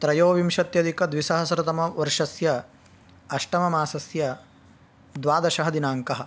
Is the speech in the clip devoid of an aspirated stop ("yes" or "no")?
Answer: yes